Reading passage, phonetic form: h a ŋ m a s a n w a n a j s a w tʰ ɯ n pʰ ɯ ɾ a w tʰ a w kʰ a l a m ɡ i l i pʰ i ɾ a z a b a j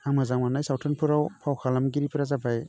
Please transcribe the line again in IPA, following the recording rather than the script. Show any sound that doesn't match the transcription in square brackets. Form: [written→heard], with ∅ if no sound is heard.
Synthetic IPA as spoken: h a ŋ m a [s→z] a [n→ŋ] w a n a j s a w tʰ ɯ n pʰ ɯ ɾ a w [tʰ→pʰ] a w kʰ a l a m ɡ i [l→ɾ] i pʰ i ɾ a z a b a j

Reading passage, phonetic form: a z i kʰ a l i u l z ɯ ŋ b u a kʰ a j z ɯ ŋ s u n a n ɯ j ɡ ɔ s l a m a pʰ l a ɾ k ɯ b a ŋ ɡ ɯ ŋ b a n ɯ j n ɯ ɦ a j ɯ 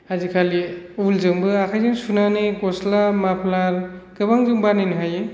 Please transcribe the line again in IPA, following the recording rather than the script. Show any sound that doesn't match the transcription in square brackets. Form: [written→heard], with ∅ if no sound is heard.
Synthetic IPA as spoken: a z i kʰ a l i u l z ɯ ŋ b [u→ɯ] a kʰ a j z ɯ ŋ s u n a n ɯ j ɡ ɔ s l a m a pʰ l a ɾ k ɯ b a ŋ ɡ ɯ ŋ b a n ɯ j n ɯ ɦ a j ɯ

